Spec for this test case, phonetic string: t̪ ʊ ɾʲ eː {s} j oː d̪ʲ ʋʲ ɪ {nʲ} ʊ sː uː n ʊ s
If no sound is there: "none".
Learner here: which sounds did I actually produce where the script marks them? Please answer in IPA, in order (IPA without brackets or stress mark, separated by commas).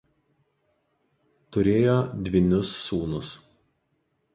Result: none, nʲ